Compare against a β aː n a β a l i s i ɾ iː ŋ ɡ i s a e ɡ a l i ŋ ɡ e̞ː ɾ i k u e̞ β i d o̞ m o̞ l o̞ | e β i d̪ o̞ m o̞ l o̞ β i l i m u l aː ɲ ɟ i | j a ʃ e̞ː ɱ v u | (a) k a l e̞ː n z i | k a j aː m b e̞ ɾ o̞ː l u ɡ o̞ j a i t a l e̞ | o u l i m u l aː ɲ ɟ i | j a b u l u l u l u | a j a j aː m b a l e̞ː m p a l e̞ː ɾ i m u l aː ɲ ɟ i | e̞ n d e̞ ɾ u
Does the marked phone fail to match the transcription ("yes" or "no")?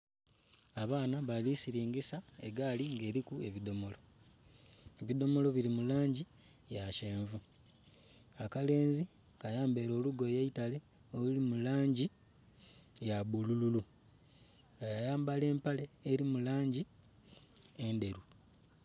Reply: no